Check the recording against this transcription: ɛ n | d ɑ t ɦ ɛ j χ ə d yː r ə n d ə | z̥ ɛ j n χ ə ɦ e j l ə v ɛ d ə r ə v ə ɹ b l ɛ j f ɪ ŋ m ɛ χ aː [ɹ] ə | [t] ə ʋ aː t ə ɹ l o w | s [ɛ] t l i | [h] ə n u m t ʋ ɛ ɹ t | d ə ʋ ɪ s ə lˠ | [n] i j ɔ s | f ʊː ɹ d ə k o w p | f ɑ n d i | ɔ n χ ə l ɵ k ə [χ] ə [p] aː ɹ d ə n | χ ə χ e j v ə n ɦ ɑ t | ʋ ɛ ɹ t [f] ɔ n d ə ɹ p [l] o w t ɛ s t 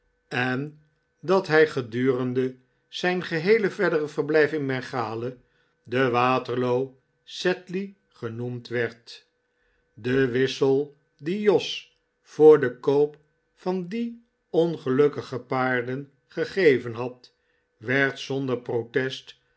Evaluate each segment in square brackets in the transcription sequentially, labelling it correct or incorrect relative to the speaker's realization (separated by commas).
incorrect, incorrect, correct, incorrect, incorrect, correct, correct, incorrect, incorrect